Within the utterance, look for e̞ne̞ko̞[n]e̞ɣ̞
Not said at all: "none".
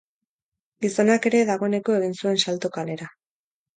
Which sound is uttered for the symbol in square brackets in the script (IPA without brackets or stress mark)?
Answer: none